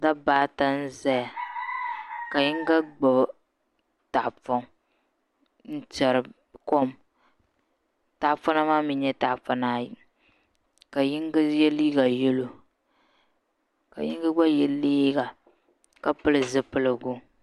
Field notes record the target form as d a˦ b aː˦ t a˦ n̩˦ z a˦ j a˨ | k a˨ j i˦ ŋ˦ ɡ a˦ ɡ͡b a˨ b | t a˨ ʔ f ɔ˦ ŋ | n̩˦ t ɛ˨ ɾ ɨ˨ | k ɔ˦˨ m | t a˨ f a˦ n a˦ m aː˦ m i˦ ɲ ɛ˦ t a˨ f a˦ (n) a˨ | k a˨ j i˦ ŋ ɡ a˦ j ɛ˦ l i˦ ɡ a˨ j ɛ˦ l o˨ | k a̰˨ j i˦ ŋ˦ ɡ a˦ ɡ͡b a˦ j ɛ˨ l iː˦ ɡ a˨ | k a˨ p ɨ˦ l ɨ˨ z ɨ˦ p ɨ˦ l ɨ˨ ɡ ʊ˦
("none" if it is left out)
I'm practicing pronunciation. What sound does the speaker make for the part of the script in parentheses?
n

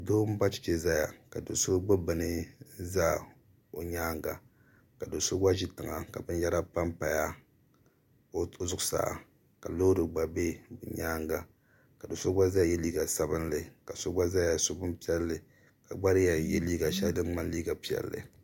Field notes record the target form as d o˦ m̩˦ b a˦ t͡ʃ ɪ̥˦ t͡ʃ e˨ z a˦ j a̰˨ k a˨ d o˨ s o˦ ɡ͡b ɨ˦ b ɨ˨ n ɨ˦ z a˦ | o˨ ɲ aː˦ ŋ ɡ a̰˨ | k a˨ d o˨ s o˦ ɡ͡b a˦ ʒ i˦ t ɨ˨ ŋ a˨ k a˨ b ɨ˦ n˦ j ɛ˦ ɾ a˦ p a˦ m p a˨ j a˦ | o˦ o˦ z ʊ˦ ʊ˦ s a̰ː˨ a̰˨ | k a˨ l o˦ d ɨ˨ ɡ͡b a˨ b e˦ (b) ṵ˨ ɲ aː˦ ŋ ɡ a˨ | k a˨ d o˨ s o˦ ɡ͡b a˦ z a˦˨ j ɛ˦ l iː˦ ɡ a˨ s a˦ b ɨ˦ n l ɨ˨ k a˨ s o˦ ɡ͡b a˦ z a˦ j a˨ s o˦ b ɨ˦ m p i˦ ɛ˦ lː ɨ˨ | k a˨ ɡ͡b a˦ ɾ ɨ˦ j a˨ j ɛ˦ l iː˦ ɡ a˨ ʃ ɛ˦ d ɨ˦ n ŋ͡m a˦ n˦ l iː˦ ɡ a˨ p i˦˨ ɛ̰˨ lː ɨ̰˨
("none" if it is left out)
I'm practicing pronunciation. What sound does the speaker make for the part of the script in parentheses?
b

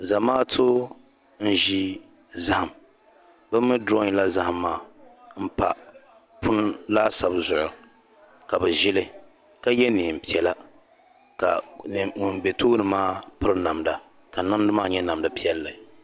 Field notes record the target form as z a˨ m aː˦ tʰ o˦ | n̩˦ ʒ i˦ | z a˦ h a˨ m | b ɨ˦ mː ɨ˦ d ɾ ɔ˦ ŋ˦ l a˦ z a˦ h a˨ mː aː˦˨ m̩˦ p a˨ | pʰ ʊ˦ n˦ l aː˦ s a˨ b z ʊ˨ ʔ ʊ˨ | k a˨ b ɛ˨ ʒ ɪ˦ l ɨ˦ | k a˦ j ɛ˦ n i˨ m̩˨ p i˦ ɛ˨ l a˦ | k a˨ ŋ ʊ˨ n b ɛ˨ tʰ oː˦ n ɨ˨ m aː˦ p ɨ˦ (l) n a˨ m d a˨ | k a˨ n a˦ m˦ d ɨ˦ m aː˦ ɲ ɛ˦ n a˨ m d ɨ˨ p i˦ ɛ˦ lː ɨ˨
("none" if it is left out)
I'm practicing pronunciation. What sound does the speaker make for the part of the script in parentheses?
ɾ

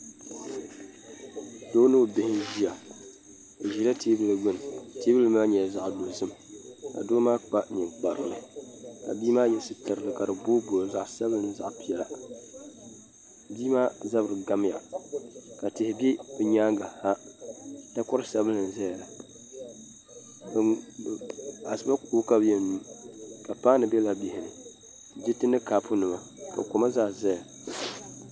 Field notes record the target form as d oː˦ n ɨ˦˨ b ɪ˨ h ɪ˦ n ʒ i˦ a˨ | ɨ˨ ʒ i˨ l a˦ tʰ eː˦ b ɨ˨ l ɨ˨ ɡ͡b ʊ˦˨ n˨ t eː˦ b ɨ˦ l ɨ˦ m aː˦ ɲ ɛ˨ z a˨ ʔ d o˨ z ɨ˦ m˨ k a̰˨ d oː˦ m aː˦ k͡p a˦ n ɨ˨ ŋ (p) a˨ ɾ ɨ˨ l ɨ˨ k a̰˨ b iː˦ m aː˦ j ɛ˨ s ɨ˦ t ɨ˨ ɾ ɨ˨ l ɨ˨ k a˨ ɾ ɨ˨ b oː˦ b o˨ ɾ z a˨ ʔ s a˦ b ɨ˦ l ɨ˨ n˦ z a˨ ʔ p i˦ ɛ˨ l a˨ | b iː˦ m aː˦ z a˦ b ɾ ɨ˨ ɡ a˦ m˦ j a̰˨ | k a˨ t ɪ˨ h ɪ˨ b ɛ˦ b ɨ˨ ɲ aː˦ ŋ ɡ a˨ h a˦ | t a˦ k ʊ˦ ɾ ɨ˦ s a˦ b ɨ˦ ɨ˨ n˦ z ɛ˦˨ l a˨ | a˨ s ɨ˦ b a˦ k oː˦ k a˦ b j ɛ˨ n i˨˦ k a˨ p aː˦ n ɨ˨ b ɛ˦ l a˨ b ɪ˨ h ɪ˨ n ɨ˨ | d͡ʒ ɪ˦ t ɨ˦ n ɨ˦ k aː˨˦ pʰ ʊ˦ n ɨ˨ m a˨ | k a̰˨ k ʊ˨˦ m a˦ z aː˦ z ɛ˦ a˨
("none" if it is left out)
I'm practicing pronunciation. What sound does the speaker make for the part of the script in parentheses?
k͡p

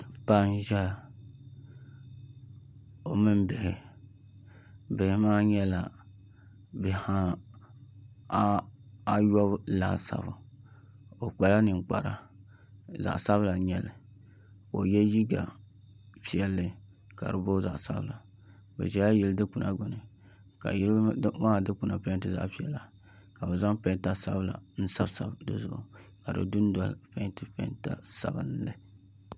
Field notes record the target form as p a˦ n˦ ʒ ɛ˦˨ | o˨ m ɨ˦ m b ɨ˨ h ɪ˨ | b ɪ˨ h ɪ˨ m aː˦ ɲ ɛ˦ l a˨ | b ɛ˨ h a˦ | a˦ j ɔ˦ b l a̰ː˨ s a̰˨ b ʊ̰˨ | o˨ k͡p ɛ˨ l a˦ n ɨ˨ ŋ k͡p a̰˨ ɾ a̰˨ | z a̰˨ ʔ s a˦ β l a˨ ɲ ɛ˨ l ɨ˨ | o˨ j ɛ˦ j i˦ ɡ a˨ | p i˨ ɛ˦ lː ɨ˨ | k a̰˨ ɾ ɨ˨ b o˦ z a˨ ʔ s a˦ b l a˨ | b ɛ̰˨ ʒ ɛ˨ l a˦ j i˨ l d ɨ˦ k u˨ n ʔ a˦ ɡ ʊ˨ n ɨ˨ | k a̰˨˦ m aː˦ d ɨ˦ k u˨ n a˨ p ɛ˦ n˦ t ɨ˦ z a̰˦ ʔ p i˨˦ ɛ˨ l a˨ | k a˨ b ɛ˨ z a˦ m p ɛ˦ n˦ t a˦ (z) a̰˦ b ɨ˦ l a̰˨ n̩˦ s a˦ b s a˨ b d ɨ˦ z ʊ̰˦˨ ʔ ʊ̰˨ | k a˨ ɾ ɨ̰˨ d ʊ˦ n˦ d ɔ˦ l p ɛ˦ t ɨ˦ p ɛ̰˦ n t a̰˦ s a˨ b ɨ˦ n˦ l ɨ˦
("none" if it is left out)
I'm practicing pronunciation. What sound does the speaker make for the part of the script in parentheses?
s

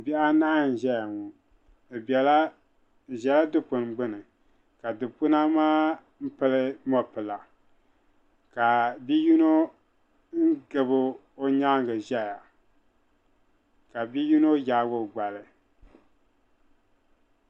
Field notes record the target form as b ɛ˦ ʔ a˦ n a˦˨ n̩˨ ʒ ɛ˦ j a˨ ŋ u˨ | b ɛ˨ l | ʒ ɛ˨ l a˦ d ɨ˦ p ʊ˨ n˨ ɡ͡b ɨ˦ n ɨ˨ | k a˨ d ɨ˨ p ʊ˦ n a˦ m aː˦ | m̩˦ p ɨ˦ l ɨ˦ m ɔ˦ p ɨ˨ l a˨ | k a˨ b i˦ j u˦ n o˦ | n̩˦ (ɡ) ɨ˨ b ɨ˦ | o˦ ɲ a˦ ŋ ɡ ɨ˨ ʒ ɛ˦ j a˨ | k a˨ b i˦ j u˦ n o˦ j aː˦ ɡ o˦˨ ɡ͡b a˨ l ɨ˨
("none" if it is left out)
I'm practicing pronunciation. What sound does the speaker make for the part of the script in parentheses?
ɡ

